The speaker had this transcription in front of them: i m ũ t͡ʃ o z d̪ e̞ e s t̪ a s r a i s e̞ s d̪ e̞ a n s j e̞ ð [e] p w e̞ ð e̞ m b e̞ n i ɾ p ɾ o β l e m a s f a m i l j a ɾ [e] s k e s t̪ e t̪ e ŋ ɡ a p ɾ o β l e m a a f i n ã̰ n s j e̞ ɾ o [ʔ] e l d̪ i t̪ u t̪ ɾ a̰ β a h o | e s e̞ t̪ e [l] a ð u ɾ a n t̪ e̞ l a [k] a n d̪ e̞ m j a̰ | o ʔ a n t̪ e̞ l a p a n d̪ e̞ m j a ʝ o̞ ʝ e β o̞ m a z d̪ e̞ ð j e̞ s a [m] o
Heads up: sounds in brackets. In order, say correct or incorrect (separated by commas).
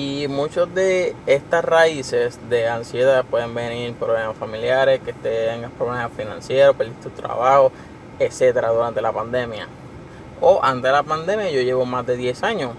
incorrect, correct, incorrect, incorrect, incorrect, incorrect